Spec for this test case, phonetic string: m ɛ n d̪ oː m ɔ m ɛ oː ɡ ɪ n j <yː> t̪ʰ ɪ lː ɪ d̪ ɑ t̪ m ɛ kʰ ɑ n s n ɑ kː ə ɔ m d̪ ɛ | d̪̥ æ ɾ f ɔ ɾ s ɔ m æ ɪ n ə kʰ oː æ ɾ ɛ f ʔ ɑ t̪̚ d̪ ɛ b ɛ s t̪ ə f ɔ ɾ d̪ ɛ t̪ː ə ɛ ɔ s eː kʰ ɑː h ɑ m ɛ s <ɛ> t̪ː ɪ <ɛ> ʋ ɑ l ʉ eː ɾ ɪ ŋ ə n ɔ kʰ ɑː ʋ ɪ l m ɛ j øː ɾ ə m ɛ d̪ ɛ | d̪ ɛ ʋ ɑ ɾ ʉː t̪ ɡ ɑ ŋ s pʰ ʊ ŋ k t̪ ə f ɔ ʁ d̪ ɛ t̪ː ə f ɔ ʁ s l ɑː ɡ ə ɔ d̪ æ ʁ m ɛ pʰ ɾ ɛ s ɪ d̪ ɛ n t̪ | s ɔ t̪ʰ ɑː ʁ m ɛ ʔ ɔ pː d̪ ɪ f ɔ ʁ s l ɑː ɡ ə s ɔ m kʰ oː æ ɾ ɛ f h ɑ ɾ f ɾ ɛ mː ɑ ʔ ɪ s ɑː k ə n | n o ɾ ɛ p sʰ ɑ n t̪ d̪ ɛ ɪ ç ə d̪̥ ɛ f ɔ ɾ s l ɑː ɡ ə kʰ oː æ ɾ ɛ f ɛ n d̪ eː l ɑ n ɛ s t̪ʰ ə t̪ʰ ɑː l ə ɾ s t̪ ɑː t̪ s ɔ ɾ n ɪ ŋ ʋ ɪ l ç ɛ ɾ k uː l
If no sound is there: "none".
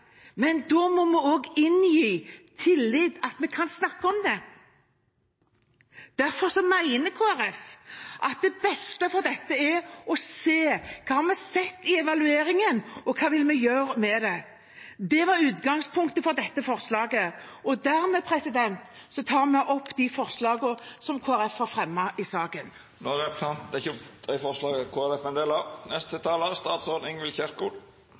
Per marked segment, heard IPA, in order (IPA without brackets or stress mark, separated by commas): iː, ɛ, ɛ